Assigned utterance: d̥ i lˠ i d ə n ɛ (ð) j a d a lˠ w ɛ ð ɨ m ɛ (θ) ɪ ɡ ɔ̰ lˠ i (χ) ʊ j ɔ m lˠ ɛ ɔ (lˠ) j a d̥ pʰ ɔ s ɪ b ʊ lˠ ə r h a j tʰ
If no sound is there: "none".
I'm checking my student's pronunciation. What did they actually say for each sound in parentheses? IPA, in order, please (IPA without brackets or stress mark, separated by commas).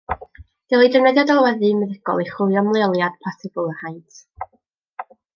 ð, ð, χ, lˠ